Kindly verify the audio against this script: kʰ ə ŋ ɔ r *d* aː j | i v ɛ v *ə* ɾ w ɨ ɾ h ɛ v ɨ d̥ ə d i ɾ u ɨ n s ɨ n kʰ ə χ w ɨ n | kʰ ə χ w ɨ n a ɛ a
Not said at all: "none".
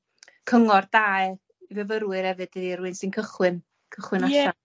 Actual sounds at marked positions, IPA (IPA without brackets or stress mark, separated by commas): d, ə